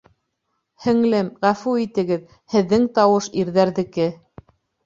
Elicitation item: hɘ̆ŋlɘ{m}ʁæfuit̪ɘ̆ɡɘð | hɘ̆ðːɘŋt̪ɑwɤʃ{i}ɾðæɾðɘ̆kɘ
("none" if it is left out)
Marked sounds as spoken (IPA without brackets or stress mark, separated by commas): m, i